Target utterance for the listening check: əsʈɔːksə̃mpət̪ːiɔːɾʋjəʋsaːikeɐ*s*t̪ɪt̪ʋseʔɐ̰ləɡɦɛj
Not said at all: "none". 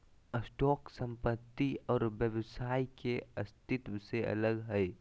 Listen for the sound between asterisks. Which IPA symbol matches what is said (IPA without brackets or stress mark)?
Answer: s